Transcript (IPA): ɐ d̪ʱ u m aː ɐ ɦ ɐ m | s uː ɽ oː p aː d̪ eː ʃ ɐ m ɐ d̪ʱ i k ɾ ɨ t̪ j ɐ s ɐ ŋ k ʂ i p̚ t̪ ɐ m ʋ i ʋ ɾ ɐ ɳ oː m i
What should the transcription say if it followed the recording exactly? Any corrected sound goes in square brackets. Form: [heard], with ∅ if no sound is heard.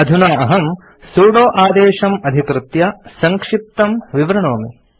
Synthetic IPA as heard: ɐ d̪ʱ u [n] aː ɐ ɦ ɐ m | s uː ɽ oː [ʔ] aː d̪ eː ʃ ɐ m ɐ d̪ʱ i k ɾ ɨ t̪ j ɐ s ɐ ŋ k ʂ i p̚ t̪ ɐ m ʋ i ʋ ɾ ɐ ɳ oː m i